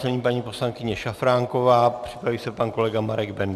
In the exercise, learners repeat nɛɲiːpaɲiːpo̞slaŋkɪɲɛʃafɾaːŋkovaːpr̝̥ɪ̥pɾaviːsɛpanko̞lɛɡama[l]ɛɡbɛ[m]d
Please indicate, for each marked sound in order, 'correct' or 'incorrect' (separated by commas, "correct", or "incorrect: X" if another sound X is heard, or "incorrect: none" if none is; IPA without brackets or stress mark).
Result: incorrect: ɾ, incorrect: n